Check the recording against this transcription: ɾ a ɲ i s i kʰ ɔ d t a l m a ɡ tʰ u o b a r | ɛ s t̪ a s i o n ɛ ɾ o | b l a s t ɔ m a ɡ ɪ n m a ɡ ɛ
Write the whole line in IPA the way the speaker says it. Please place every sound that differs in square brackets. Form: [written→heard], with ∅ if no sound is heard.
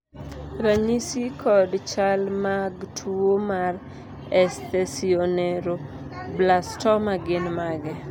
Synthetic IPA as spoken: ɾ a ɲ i s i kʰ ɔ d [t→t͡ʃ] a l m a ɡ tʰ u o [b→m] a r | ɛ s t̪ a s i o n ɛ ɾ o | b l a s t ɔ m a ɡ ɪ n m a ɡ ɛ